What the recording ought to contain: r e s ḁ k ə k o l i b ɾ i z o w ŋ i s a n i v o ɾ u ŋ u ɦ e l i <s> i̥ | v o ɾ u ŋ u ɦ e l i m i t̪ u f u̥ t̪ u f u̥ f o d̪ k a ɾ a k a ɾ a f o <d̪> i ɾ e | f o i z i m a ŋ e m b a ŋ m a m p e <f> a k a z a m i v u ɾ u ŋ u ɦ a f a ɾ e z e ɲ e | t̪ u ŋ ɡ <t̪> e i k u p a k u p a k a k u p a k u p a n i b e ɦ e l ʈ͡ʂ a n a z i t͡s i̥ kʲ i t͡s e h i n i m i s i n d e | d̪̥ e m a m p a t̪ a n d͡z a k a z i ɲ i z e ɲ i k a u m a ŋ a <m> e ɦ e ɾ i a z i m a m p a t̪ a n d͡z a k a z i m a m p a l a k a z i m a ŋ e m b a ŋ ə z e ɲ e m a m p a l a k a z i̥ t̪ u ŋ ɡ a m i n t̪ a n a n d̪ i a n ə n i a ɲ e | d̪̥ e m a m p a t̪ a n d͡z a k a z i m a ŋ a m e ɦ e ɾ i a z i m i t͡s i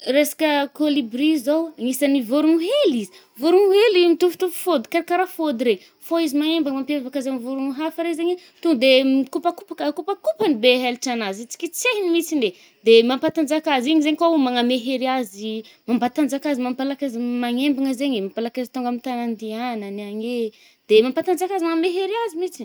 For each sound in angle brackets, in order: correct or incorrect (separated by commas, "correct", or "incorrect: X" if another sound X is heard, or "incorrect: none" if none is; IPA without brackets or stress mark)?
incorrect: z, correct, incorrect: v, incorrect: d̪, correct